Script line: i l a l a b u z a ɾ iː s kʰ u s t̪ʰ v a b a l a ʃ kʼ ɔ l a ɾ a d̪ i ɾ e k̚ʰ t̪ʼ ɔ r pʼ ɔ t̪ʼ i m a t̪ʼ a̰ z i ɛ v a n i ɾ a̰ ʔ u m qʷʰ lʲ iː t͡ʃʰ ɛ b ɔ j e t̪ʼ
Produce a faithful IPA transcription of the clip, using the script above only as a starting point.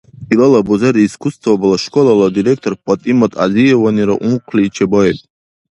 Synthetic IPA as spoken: i l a l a b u z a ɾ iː s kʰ u s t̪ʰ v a b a l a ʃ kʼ ɔ l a l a d̪ i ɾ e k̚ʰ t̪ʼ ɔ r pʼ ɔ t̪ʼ i m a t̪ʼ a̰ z i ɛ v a n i ɾ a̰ ʔ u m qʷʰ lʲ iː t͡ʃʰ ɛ b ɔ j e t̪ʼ